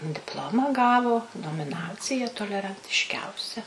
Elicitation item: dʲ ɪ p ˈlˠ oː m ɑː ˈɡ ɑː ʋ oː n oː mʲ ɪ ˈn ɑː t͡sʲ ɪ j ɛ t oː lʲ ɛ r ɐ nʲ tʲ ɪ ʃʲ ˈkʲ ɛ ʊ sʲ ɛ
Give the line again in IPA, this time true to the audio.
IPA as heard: dʲ ɪ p ˈlˠ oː m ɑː ˈɡ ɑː ʋ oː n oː mʲ ɪ ˈn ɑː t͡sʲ ɪ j ɛ t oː lʲ ɛ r ɐ nʲ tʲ ɪ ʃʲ ˈkʲ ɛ ʊ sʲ ɛ

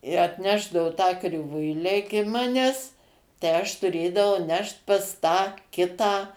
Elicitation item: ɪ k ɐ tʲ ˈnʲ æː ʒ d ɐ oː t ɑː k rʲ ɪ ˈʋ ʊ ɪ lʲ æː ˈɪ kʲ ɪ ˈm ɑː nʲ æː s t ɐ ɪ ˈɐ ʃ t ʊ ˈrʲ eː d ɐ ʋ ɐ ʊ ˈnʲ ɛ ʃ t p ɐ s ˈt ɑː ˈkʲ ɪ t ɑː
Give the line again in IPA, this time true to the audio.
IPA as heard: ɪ ɐ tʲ ˈnʲ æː ʒ d ɐ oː t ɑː k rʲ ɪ ˈʋ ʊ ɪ lʲ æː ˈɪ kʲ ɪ ˈm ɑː nʲ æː s t ɐ ɪ ˈɐ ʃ t ʊ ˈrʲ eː d ɐ ʋ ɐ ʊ ˈnʲ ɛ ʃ t p ɐ s ˈt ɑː ˈkʲ ɪ t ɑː

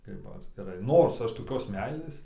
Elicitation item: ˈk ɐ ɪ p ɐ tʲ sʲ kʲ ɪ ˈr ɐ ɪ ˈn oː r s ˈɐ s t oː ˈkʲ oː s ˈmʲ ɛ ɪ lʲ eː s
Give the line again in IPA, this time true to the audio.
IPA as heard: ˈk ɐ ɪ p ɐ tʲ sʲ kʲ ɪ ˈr ɐ ɪ ˈn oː r s ˈɐ ʃ t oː ˈkʲ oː s ˈmʲ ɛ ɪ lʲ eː s

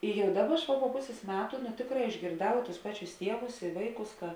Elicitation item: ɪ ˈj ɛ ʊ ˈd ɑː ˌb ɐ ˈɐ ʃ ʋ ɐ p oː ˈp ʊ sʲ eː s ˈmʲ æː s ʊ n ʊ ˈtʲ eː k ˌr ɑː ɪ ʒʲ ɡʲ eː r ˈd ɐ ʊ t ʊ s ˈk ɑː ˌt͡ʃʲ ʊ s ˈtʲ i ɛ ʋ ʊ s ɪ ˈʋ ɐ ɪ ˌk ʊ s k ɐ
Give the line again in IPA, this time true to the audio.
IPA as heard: ɪ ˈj ɛ ʊ ˈd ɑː ˌb ɐ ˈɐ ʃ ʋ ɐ p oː ˈp ʊ sʲ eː s ˈmʲ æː t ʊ n ʊ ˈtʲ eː k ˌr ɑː ɪ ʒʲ ɡʲ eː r ˈd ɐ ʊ t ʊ s ˈp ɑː ˌt͡ʃʲ ʊ s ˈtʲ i ɛ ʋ ʊ s ɪ ˈʋ ɐ ɪ ˌk ʊ s k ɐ

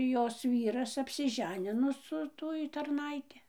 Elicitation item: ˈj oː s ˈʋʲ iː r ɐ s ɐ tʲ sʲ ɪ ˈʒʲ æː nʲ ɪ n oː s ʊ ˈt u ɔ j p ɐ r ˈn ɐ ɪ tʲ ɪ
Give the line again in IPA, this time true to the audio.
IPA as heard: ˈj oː s ˈʋʲ iː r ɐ s ɐ pʲ sʲ ɪ ˈʒʲ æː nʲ ɪ n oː s ʊ ˈt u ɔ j t ɐ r ˈn ɐ ɪ tʲ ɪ

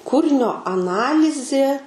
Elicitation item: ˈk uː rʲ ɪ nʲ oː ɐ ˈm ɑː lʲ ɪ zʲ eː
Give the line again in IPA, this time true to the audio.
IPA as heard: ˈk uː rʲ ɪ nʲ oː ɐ ˈn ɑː lʲ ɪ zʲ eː

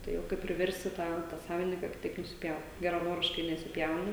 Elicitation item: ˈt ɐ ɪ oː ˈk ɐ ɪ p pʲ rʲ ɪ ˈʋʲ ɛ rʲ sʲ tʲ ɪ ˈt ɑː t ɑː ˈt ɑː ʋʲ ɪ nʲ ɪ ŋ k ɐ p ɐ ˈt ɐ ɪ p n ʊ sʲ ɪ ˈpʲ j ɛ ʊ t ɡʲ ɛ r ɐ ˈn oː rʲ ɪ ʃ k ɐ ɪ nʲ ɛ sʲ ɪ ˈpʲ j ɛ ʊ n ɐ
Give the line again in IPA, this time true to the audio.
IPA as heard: ˈt ɐ ɪ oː ˈk ɐ ɪ p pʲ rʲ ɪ ˈʋʲ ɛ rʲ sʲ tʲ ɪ ˈt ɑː t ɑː ˈs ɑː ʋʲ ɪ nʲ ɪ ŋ k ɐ k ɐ ˈt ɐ ɪ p n ʊ sʲ ɪ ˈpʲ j ɛ ʊ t ɡʲ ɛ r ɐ ˈn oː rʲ ɪ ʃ k ɐ ɪ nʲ ɛ sʲ ɪ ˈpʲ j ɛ ʊ n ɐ

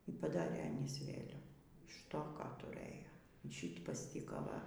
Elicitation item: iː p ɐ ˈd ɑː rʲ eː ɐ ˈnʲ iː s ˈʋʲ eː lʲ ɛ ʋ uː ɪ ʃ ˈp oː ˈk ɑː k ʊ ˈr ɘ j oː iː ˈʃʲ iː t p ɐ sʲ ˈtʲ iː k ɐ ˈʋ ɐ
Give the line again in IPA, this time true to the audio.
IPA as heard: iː p ɐ ˈd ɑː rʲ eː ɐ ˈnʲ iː s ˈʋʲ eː lʲ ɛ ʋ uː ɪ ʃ ˈt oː ˈk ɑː t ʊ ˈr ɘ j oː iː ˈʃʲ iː t p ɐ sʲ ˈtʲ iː k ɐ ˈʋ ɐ

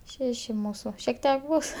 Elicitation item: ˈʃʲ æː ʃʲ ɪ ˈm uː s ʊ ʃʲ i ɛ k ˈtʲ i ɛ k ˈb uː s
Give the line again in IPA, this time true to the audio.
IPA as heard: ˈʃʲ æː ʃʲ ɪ ˈm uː s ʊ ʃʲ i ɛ k ˈtʲ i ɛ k ˈb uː s

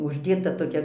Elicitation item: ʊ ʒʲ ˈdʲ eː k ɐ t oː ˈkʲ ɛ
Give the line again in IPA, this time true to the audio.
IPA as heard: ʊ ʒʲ ˈdʲ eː t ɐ t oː ˈkʲ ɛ

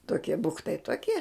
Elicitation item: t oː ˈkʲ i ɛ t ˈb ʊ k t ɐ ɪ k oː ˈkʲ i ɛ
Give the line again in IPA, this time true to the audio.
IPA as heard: t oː ˈkʲ i ɛ ˈb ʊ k t ɐ ɪ t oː ˈkʲ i ɛ

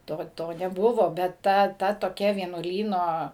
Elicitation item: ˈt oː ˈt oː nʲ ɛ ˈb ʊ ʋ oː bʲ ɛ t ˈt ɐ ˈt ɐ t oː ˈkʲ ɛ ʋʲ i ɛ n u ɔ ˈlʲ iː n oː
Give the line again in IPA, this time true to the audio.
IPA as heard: ˈt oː ˈt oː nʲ ɛ ˈb ʊ ʋ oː bʲ ɛ t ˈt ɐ ˈt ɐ t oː ˈkʲ ɛ ʋʲ i ɛ n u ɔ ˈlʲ iː n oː

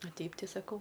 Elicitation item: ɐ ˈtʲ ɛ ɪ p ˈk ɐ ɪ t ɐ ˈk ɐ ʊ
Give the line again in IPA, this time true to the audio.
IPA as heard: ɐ ˈtʲ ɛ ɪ p ˈt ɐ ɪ s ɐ ˈk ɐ ʊ

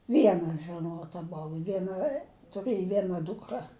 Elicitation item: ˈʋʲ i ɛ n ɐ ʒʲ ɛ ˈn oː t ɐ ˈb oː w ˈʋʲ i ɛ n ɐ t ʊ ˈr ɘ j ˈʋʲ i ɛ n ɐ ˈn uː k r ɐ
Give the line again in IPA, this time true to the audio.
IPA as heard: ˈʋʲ i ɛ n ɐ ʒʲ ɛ ˈn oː t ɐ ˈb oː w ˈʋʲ i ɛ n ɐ t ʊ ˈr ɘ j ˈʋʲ i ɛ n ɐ ˈd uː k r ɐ

